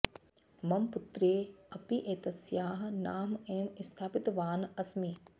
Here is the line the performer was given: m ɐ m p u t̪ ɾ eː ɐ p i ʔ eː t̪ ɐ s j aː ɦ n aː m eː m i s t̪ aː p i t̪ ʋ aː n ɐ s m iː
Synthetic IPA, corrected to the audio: m ɐ m p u t̪ ɾ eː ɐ p i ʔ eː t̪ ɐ s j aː ɦ n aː m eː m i s t̪ʰ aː p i t̪ ʋ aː n ɐ s m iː